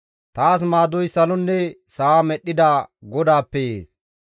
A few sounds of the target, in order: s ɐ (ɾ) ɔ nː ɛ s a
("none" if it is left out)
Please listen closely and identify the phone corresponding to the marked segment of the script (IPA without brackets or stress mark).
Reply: l